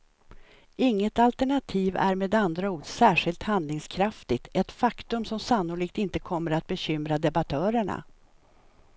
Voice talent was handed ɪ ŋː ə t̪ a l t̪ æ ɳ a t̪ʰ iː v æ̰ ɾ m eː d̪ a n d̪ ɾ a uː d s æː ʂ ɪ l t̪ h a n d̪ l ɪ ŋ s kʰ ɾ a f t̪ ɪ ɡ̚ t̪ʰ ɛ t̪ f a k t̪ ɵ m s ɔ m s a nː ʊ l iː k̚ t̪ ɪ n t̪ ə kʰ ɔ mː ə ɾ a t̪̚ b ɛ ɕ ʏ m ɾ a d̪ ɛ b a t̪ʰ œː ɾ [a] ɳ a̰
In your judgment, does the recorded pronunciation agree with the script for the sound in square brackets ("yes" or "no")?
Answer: no